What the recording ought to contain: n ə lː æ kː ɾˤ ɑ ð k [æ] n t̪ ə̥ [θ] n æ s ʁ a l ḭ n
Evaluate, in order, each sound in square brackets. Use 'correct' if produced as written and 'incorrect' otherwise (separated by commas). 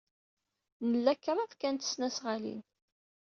correct, incorrect